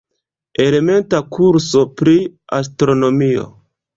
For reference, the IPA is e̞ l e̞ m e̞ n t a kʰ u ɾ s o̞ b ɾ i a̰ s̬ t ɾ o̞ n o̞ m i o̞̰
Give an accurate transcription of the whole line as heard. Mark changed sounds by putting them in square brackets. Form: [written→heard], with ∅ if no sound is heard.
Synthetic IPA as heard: e̞ l e̞ m e̞ n t a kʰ u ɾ s o̞ [b→p] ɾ i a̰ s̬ t ɾ o̞ n o̞ m i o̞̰